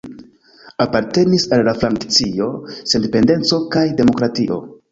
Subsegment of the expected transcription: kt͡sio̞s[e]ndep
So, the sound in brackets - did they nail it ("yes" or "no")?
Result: yes